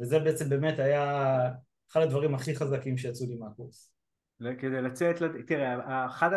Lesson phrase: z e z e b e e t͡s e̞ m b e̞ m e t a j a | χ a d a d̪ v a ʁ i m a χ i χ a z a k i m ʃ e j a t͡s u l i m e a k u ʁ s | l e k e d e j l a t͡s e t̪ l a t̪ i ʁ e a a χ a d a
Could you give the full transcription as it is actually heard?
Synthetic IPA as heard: v e z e b e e t͡s e̞ m b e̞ m e t a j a | χ a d a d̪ v a ʁ i m a χ i χ a z a k i m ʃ e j a t͡s u l i m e a k u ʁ s | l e k e d e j l a t͡s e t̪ l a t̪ i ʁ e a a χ a d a